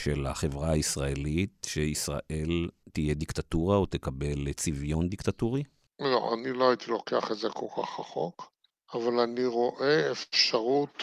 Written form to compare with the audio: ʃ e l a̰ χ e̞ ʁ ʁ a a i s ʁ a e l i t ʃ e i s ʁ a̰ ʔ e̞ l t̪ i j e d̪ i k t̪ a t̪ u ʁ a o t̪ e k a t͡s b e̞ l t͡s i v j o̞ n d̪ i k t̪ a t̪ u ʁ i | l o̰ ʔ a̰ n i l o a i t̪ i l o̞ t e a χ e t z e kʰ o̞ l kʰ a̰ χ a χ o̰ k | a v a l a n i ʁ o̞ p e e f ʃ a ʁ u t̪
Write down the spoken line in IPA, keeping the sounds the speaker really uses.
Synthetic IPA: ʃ e l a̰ χ e̞ v ʁ a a i s ʁ a e l i t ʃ e i s ʁ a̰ ʔ e̞ l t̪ i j e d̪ i k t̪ a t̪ u ʁ a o t̪ e k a b e̞ l t͡s i v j o̞ n d̪ i k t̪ a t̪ u ʁ i | l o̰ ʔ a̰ n i l o a i t̪ i l o̞ k e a χ e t z e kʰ o̞ l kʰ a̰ χ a χ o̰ k | a v a l a n i ʁ o̞ ʔ e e f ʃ a ʁ u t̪